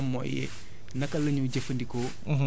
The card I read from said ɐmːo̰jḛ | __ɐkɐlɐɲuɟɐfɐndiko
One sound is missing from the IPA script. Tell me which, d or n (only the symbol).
n